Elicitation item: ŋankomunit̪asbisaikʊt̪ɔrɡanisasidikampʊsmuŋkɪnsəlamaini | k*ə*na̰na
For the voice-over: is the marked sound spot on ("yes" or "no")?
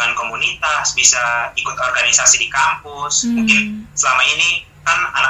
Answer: no